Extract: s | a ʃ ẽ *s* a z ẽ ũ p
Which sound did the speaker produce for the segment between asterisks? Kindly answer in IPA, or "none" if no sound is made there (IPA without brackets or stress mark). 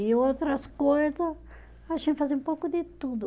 f